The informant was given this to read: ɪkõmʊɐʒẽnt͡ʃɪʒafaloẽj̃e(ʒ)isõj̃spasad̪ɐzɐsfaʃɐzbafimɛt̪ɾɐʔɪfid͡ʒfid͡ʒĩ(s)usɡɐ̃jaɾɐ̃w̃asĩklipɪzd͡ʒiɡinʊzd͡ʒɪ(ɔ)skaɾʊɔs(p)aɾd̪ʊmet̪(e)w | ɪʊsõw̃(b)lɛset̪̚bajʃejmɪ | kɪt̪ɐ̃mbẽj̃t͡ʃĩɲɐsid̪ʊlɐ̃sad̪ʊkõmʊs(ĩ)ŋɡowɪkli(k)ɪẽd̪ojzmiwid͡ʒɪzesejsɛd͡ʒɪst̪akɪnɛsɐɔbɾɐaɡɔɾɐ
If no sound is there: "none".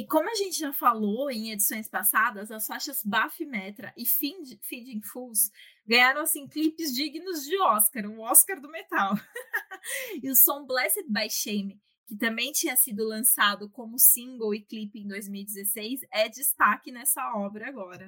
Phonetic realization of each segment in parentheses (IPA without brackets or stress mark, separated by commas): d͡ʒ, f, ɔ, k, a, b, ĩ, p